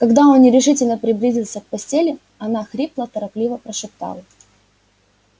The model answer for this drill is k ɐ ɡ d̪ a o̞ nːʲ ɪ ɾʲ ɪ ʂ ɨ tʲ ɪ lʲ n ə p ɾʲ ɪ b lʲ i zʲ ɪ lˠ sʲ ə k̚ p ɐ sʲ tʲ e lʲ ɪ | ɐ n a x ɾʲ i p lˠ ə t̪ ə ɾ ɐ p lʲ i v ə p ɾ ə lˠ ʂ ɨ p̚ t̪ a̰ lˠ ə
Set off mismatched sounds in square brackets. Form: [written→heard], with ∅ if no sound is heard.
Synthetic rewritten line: k ɐ ɡ d̪ a o̞ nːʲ ɪ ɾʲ ɪ ʂ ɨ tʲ ɪ lʲ n ə p ɾʲ ɪ b lʲ i zʲ ɪ lˠ sʲ ə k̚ p ɐ sʲ tʲ e lʲ ɪ | ɐ n a x ɾʲ i p lˠ ə t̪ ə ɾ ɐ p lʲ i v ə p ɾ ə [lˠ→∅] ʂ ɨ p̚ t̪ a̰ lˠ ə